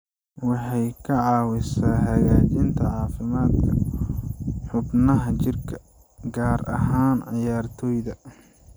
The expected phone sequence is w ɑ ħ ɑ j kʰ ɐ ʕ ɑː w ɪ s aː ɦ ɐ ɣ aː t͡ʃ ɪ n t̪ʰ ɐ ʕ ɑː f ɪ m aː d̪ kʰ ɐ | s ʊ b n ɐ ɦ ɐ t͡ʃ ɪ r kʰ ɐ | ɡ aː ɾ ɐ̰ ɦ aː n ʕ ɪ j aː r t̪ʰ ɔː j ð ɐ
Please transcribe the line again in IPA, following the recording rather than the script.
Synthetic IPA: w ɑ ħ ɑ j kʰ ɐ ʕ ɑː w ɪ s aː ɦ ɐ ɣ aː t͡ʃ ɪ n t̪ʰ ɐ ʕ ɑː f ɪ m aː d̪ kʰ ɐ | ħ ʊ b n ɐ ɦ ɐ t͡ʃ ɪ r kʰ ɐ | ɡ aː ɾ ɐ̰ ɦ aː n ʕ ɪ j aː r t̪ʰ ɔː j ð ɐ